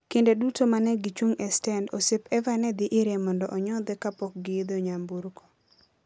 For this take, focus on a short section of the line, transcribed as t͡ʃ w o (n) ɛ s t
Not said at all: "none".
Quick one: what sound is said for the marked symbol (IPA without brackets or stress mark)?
ŋ